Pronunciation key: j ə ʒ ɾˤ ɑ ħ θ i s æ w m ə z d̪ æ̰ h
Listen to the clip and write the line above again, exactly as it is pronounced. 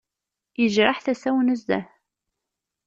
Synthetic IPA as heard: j ə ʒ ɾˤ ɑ ħ θ æ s æ w n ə z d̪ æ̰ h